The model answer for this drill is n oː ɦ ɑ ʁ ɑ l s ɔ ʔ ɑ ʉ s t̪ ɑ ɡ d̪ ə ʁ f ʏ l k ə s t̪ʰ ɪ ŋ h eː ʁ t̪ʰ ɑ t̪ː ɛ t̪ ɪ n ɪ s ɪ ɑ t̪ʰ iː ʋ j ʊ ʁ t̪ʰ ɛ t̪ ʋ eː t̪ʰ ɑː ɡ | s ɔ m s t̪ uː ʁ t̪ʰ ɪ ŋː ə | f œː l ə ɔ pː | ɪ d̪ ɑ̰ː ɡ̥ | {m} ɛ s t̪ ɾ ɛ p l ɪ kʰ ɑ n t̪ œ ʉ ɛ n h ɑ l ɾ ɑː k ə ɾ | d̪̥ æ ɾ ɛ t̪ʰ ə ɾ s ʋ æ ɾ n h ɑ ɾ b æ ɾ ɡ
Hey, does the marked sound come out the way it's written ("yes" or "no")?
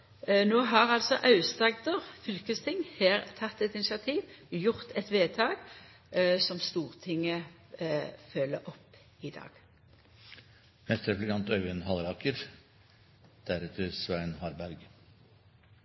yes